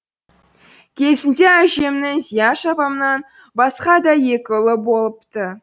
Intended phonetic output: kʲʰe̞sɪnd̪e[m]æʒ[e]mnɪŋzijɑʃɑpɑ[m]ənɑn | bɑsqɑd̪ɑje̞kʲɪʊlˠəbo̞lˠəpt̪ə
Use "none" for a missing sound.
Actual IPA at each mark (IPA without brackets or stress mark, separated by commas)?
none, e, m